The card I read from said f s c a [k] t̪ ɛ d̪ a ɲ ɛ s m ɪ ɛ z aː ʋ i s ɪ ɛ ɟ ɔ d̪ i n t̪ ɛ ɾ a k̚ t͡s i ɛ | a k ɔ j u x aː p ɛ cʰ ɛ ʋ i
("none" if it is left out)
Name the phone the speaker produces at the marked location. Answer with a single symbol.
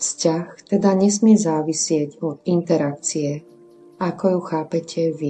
x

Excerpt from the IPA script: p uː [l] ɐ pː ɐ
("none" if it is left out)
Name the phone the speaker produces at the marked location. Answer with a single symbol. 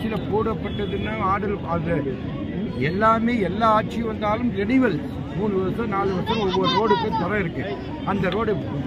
ɽ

